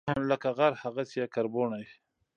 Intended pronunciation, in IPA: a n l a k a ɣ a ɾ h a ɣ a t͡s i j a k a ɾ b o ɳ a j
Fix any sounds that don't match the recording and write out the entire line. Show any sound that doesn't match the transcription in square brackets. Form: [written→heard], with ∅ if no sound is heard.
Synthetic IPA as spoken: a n l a k a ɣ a ɾ h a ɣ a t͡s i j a k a ɾ b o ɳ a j

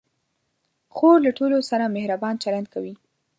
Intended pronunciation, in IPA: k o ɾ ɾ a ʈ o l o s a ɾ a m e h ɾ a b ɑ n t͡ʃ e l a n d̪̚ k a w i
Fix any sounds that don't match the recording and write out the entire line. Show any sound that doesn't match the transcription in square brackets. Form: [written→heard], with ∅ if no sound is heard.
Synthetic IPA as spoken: [k→x] o ɾ [ɾ→l] a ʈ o l o s a ɾ a m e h ɾ a b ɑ n t͡ʃ [e→a] l a n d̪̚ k a w i

